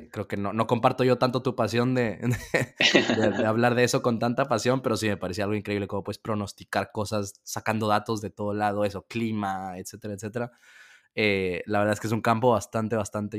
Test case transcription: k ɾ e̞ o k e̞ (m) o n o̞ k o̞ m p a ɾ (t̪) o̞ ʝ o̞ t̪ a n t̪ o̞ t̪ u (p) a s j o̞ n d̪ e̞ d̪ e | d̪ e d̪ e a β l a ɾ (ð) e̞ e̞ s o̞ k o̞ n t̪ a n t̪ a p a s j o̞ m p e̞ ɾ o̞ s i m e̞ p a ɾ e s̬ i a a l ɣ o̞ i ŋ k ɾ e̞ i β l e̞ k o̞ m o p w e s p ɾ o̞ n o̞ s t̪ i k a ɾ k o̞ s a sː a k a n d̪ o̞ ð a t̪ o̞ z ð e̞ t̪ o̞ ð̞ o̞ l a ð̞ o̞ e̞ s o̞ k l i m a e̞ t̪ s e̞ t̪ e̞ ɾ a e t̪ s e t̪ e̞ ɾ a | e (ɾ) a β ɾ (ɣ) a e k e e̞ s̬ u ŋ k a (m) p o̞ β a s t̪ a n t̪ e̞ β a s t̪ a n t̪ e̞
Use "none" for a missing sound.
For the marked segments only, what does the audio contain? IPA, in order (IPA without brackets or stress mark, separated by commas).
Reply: n, t̪, p, ð, l, ð, m